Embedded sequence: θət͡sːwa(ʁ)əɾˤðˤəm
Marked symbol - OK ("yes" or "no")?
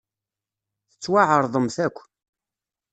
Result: no